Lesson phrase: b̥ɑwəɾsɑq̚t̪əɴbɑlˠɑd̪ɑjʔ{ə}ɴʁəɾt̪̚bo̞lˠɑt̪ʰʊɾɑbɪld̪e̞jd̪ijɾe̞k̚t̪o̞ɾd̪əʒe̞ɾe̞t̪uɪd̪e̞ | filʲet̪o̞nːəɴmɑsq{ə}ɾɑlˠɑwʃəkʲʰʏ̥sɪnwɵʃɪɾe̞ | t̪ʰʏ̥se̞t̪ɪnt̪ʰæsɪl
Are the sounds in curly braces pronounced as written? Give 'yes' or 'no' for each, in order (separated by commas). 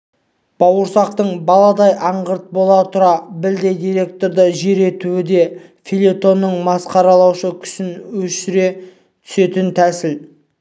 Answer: no, no